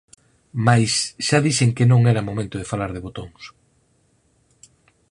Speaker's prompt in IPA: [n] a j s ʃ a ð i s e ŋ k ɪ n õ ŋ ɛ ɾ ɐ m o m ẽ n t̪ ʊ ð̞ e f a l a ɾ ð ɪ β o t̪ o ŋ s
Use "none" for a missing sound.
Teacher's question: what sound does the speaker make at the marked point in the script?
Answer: m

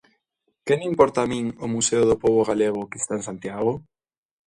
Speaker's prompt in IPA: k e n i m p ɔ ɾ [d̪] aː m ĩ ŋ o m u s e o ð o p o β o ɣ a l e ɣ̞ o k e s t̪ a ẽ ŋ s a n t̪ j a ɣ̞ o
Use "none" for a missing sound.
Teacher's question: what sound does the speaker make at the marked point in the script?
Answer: t̪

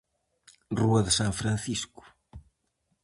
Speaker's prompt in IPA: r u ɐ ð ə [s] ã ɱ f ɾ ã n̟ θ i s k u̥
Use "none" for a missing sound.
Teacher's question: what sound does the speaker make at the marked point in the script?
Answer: s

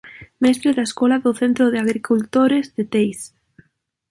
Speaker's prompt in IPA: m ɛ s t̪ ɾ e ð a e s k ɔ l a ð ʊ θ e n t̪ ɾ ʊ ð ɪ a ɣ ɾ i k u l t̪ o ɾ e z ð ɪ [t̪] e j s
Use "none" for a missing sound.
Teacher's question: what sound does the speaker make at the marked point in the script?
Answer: t̪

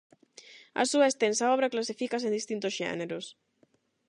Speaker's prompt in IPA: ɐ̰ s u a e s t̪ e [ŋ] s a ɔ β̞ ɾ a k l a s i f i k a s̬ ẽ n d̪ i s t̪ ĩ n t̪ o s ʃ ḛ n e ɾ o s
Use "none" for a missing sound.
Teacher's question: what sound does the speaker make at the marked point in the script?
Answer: n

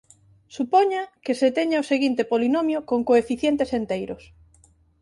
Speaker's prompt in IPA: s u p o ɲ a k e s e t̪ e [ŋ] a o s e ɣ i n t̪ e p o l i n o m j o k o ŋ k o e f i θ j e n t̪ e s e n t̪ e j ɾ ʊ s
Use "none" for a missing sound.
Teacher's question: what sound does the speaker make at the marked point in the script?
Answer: ɲ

